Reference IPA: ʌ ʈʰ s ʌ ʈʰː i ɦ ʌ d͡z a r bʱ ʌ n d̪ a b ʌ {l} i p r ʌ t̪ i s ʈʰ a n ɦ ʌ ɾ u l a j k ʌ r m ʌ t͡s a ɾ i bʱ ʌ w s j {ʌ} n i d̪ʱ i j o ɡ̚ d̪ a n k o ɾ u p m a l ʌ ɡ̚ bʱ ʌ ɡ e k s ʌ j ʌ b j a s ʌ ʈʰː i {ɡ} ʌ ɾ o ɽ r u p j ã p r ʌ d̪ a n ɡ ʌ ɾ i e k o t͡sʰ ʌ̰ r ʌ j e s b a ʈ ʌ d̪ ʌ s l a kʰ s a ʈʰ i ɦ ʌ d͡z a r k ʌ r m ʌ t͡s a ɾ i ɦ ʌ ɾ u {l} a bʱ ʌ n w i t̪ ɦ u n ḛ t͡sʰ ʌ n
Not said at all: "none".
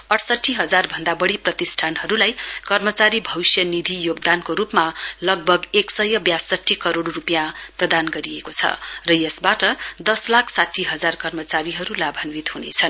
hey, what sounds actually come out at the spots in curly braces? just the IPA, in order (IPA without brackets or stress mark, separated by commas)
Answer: ɽ, ʌ, k, l